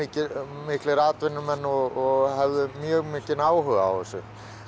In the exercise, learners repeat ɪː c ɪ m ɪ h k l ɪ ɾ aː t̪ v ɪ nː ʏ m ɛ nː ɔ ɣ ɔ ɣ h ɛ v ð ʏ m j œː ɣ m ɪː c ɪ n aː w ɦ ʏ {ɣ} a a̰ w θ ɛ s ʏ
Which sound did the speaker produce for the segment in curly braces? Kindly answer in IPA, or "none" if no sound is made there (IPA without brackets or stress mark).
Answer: ɣ